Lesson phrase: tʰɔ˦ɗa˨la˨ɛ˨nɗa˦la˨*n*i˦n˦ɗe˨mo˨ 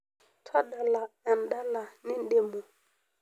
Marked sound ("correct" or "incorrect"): correct